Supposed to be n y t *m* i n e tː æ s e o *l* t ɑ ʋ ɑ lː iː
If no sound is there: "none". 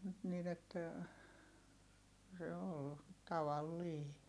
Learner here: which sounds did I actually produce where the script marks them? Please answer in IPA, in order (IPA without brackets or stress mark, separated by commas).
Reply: n, l